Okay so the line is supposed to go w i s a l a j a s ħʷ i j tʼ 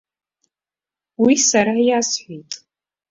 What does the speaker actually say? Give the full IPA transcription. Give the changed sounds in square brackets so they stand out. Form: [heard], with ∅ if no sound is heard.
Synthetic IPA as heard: w i s a [ɾ] a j a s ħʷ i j tʼ